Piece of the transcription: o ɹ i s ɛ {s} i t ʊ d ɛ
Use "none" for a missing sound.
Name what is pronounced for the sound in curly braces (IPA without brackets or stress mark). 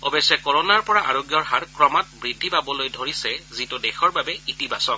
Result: z